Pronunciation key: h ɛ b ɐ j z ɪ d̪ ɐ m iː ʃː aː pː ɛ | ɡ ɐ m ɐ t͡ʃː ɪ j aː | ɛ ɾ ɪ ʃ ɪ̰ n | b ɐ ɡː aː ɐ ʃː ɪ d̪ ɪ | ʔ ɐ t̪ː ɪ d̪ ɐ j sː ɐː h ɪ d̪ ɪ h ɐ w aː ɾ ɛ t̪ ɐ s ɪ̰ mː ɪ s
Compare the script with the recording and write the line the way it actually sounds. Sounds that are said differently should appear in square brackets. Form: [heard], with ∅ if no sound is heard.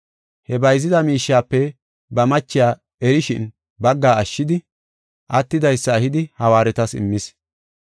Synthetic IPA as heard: h ɛ b ɐ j z ɪ d̪ ɐ m iː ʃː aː pː ɛ | [b] ɐ m ɐ t͡ʃː ɪ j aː | ɛ ɾ ɪ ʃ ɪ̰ n | b ɐ ɡː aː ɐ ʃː ɪ d̪ ɪ | ʔ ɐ t̪ː ɪ d̪ ɐ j sː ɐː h ɪ d̪ ɪ h ɐ w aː ɾ ɛ t̪ ɐ s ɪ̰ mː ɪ s